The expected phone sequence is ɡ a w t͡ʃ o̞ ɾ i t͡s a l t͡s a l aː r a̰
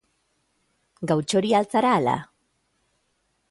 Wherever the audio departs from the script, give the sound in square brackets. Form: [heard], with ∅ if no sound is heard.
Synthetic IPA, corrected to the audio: ɡ a w t͡ʃ o̞ ɾ i [∅] a l t͡s a [ɾ] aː [l] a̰